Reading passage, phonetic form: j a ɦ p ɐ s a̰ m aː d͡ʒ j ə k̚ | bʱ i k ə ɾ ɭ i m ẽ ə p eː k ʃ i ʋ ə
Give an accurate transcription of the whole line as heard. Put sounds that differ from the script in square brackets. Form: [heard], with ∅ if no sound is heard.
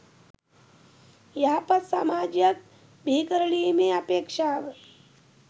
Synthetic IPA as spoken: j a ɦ p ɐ s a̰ m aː d͡ʒ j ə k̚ | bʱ i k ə ɾ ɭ i m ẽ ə p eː k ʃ [a] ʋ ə